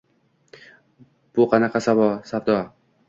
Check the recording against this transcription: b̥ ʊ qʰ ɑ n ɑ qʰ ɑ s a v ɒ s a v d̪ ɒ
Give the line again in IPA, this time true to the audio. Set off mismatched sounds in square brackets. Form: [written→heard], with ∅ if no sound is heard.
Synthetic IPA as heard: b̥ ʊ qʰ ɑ n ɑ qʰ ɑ s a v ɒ s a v d̪ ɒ